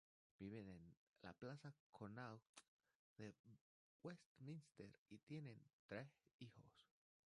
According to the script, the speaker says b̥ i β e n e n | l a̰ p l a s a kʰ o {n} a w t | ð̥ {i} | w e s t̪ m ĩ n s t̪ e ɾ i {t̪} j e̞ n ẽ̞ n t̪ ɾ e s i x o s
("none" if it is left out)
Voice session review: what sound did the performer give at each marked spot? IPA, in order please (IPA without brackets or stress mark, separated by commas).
n, e, t̪